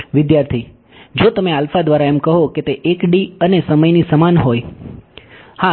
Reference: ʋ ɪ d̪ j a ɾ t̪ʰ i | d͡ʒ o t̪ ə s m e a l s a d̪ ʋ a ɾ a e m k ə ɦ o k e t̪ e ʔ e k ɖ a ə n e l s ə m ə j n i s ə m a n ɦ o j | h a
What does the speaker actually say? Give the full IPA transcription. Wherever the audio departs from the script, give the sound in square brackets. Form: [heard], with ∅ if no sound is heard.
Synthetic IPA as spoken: ʋ ɪ d̪ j a ɾ t̪ʰ i | d͡ʒ o t̪ ə [∅] m e a l [f] a d̪ ʋ a ɾ a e m k ə ɦ o k e t̪ e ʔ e k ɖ [i] ə n e [∅] s ə m ə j n i s ə m a n ɦ o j | h a